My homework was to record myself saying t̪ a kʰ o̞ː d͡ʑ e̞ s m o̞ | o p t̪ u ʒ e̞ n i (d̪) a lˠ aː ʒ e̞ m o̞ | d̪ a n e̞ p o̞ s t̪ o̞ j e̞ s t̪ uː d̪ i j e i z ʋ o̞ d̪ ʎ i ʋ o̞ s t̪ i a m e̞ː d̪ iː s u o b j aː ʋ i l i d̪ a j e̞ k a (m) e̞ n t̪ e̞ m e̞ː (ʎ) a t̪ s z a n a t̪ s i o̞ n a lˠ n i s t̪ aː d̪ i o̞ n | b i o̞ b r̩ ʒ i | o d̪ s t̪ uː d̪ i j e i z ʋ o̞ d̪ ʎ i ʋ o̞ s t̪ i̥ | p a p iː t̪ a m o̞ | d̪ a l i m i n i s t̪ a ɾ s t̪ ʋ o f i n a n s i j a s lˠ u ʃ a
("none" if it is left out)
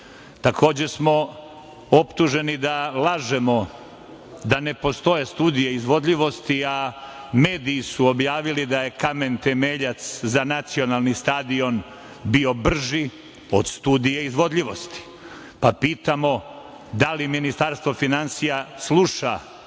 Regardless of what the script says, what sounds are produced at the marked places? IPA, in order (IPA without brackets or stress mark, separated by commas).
d̪, m, ʎ